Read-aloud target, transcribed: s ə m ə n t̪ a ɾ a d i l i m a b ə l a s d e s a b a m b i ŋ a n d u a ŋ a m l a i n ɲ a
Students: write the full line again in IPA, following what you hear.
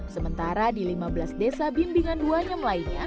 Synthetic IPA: s ə m ə n t̪ a ɾ a d i l i m a b ə l a s d e s a b i m b i ŋ a n d u a ɲ a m l a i n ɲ a